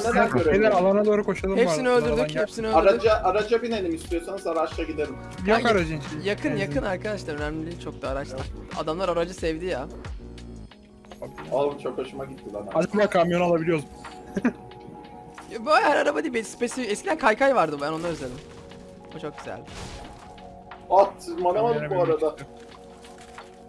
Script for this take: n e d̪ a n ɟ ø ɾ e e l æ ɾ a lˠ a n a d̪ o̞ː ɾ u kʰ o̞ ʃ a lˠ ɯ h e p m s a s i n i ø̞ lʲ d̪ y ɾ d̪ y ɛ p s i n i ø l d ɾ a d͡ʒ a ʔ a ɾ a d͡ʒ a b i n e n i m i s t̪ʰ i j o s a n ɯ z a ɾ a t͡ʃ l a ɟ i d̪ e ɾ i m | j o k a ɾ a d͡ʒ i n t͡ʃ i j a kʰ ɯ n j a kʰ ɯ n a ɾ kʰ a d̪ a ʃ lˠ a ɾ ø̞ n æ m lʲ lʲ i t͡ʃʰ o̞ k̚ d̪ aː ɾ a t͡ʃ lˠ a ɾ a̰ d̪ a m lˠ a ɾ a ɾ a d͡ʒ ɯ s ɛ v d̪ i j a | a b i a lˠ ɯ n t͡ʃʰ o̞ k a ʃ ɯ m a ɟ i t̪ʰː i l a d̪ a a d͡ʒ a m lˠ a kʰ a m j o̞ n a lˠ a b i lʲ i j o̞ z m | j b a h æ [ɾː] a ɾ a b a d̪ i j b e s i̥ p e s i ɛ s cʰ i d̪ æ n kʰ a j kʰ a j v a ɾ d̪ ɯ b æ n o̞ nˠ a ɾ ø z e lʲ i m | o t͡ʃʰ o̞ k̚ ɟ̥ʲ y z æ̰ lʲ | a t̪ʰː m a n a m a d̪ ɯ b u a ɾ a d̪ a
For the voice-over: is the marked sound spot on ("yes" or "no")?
no